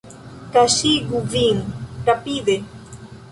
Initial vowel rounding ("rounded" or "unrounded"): unrounded